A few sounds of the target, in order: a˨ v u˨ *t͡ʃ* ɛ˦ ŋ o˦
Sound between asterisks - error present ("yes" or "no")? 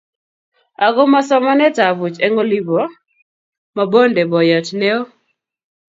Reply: no